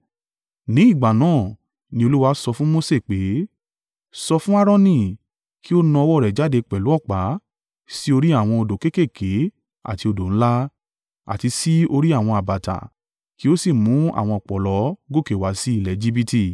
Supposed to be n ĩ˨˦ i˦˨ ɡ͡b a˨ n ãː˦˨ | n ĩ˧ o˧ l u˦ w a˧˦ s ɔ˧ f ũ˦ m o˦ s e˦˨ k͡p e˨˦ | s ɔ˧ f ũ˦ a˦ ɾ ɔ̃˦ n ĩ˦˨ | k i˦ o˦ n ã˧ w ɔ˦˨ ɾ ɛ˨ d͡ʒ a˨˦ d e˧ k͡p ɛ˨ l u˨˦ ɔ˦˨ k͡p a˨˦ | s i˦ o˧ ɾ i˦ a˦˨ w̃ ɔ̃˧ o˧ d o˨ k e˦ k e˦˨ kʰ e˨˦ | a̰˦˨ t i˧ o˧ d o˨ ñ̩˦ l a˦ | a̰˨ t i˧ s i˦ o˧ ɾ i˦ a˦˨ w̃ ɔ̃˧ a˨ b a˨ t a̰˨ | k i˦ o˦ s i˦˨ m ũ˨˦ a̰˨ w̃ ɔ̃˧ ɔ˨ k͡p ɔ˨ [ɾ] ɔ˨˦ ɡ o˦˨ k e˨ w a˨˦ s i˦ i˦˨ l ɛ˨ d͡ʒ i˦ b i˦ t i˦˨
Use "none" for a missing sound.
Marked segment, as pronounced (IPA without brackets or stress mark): l